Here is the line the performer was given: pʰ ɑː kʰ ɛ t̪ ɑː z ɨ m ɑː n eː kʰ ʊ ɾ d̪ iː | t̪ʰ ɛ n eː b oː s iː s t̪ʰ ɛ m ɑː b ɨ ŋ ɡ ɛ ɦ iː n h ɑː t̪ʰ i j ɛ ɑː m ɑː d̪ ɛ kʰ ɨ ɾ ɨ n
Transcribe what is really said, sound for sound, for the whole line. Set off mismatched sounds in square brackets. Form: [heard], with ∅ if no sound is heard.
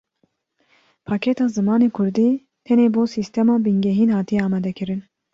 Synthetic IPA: pʰ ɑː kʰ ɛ t̪ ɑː z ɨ m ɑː n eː kʰ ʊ ɾ d̪ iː | t̪ʰ ɛ n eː b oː s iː s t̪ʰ ɛ m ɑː b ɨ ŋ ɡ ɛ ɦ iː n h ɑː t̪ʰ i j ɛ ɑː m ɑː d̪ ɛ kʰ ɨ ɾ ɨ n